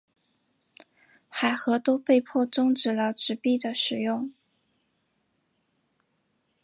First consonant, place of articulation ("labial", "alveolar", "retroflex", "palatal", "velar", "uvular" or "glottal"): velar